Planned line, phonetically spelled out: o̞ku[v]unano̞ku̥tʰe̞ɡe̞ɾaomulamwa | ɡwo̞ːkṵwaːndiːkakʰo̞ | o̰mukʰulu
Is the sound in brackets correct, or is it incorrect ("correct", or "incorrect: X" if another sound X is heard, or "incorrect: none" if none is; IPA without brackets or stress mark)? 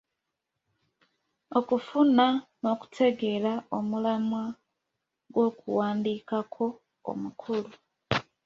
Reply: incorrect: f